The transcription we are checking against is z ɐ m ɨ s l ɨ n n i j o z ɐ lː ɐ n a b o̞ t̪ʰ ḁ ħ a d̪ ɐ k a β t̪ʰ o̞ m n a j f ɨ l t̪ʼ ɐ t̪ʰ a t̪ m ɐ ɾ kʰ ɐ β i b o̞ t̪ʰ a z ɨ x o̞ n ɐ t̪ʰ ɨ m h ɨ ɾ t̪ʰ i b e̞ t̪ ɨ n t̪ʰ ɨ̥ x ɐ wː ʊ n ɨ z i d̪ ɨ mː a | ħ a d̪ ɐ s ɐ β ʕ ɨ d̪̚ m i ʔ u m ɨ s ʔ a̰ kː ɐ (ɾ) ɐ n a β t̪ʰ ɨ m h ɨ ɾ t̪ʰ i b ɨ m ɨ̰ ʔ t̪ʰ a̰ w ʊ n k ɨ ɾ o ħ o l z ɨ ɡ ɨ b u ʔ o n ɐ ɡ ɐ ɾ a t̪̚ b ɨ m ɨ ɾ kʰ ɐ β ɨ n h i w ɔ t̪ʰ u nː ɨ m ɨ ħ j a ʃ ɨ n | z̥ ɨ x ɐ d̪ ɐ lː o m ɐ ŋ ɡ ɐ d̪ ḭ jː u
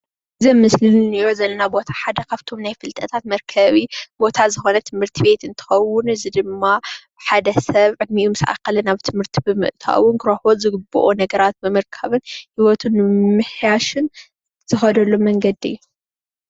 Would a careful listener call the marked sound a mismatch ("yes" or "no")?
yes